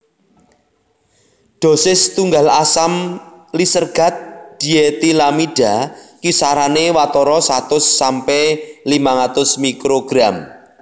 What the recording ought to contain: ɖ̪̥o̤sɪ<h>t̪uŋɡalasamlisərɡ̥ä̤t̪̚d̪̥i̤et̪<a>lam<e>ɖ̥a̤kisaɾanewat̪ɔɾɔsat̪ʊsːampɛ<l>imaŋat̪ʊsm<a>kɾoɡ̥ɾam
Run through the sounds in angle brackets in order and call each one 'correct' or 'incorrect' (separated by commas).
incorrect, incorrect, incorrect, correct, incorrect